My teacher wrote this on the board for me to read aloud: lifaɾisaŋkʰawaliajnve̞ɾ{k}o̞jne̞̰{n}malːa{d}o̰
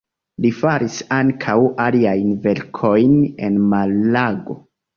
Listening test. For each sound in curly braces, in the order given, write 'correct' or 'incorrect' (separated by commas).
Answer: incorrect, correct, incorrect